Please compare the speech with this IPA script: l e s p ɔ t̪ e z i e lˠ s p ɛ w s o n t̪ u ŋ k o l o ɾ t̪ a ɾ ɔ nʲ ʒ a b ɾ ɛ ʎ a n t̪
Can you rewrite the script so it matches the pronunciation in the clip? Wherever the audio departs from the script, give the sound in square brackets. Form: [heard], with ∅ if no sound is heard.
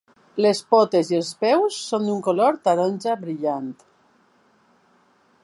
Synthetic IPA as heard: l e s p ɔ t̪ e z i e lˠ s p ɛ w [sː] o n [d̪] u ŋ k o l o ɾ t̪ a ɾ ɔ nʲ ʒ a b ɾ [i] ʎ a n t̪